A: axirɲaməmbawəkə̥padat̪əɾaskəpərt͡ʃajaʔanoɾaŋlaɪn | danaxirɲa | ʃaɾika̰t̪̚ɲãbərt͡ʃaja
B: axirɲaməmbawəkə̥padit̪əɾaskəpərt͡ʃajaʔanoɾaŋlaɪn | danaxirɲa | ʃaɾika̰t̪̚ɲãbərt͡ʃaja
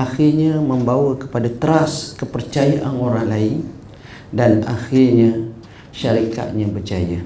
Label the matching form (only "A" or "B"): A